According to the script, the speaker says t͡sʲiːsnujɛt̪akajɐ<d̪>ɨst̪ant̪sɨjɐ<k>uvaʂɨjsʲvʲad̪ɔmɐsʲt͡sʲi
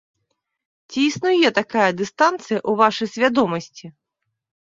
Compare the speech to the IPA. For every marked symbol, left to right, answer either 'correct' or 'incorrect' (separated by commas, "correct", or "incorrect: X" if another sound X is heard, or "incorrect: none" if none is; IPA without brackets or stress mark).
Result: correct, incorrect: ʔ